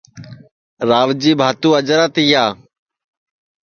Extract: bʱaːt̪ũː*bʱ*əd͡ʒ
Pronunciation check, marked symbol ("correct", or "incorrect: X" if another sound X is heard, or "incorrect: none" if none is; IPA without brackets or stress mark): incorrect: none